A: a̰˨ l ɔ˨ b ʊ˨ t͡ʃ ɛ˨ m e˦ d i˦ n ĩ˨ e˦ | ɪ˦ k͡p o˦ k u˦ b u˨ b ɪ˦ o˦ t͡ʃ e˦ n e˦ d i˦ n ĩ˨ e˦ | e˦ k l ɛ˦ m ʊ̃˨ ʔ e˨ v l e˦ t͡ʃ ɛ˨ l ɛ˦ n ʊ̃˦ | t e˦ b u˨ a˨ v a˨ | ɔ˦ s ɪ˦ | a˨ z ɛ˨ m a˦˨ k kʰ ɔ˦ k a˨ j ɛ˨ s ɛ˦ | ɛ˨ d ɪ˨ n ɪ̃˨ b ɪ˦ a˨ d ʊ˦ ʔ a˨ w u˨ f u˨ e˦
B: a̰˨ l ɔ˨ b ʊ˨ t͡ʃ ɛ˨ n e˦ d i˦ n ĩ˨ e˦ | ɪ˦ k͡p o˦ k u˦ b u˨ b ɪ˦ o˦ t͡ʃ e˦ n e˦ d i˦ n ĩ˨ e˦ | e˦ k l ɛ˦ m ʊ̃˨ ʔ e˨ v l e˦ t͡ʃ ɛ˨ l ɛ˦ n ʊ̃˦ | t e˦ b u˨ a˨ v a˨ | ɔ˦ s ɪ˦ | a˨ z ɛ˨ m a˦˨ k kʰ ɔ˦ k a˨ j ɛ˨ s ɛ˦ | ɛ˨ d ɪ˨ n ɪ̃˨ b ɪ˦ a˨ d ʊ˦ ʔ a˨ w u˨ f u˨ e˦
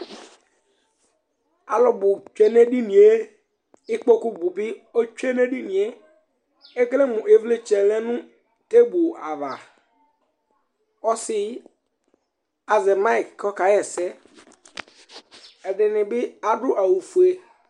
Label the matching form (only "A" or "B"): B